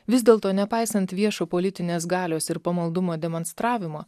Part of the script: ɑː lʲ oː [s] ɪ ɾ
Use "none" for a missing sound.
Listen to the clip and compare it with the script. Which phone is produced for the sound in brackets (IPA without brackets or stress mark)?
s